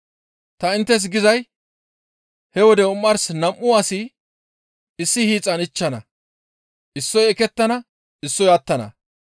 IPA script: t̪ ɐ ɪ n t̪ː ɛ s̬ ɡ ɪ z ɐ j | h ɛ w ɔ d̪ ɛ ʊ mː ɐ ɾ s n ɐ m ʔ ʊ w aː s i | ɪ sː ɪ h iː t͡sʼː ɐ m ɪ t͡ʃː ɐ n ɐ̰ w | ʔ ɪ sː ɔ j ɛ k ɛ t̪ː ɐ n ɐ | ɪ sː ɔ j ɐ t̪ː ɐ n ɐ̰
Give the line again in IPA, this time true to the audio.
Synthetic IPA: t̪ ɐ ɪ n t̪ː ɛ s̬ ɡ ɪ z ɐ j | h ɛ w ɔ d̪ ɛ ʊ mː ɐ ɾ s n ɐ m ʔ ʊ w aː s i | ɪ sː ɪ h iː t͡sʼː ɐ n ɪ t͡ʃː ɐ n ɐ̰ | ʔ ɪ sː ɔ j ɛ k ɛ t̪ː ɐ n ɐ | ɪ sː ɔ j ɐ t̪ː ɐ n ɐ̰

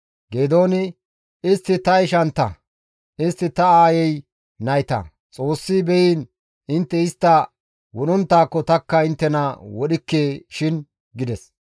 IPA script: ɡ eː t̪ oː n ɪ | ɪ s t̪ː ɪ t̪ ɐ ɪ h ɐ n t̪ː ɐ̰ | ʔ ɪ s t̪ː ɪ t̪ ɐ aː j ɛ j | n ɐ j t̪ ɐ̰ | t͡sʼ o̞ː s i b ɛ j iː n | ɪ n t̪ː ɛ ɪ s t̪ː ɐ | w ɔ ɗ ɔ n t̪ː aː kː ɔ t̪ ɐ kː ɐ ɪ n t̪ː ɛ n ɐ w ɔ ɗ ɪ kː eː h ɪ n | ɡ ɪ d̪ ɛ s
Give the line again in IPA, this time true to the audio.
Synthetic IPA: ɡ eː d̪ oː n ɪ | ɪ s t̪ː ɪ t̪ ɐ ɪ ʃ ɐ n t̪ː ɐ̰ | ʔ ɪ s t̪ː ɪ t̪ ɐ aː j ɛ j | n ɐ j t̪ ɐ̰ | t͡sʼ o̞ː sː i b ɛ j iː n | ɪ n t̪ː ɛ ɪ s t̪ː ɐ | w ɔ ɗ ɔ n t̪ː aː kː ɔ t̪ ɐ kː ɐ ɪ n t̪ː ɛ n ɐ w ɔ ɗ ɪ kː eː ʃ ɪ n | ɡ ɪ d̪ ɛ s

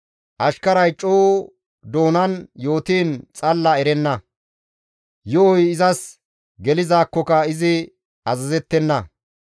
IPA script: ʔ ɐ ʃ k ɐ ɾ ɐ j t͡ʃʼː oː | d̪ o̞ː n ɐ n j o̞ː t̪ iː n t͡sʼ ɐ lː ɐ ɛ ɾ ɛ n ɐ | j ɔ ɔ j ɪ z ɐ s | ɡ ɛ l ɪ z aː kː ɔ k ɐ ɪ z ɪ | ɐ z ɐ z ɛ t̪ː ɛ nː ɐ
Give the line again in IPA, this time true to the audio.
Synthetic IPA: ʔ ɐ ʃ k ɐ ɾ ɐ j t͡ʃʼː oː | d̪ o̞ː n ɐ n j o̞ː t̪ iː n t͡sʼ ɐ lː ɐ ɛ ɾ ɛ nː ɐ | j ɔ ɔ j ɪ z ɐ s | ɡ ɛ l ɪ z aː kː ɔ k ɐ ɪ z ɪ | ɐ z ɐ z ɛ t̪ː ɛ nː ɐ

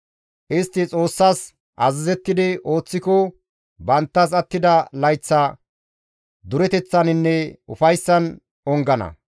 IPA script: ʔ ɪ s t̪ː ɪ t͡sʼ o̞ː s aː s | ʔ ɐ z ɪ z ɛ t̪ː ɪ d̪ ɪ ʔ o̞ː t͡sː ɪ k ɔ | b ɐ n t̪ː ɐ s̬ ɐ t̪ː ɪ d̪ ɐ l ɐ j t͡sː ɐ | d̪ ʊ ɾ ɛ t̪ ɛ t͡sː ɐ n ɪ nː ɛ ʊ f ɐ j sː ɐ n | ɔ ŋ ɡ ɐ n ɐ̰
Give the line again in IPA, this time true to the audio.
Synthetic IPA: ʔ ɪ s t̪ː ɪ t͡sʼ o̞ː sː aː s | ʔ ɐ z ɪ z ɛ t̪ː ɪ d̪ ɪ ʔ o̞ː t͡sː ɪ k ɔ | b ɐ n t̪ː ɐ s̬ ɐ t̪ː ɪ d̪ ɐ l ɐ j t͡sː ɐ | d̪ ʊ ɾ ɛ t̪ ɛ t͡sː ɐ n ɪ nː ɛ ʊ f ɐ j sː ɐ n | ɔ ŋ ɡ ɐ n ɐ̰

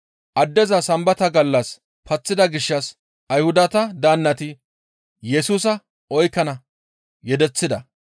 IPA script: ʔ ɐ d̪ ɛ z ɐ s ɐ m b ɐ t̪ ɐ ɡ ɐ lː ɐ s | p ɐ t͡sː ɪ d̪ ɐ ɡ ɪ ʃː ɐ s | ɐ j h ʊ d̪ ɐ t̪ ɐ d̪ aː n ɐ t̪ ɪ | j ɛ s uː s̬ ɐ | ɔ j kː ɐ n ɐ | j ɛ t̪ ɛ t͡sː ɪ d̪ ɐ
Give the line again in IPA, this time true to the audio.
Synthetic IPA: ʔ ɐ d̪ː ɛ z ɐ s ɐ m b ɐ t̪ ɐ ɡ ɐ lː ɐ s | p ɐ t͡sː ɪ d̪ ɐ ɡ ɪ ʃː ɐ s | ɐ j h ʊ d̪ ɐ t̪ ɐ d̪ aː nː ɐ t̪ ɪ | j ɛ s uː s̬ ɐ | ɔ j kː ɐ n ɐ | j ɛ d̪ ɛ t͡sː ɪ d̪ ɐ

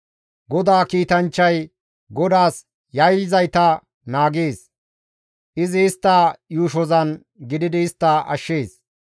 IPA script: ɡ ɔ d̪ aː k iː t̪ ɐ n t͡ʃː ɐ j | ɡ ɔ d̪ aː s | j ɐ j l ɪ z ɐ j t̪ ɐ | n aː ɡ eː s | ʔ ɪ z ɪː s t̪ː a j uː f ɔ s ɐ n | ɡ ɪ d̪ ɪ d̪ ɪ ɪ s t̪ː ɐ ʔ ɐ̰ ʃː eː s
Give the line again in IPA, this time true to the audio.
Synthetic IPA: ɡ ɔ d̪ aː k iː t̪ ɐ n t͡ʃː ɐ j | ɡ ɔ d̪ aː s | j ɐ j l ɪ z ɐ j t̪ ɐ | n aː ɡ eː s | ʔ ɪ z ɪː s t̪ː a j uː ʃ ɔ z ɐ n | ɡ ɪ d̪ ɪ d̪ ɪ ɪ s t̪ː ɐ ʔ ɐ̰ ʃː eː s

